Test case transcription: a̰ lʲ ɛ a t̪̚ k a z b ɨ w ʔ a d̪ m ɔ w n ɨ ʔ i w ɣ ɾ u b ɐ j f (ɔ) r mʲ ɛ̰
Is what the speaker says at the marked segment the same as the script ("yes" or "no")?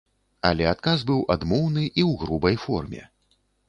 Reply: yes